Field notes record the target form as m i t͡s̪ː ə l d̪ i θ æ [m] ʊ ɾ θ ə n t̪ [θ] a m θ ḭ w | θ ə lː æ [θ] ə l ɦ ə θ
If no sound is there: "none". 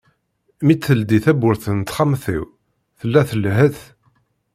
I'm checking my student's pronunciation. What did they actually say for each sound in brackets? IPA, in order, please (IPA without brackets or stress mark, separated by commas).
b, χ, θ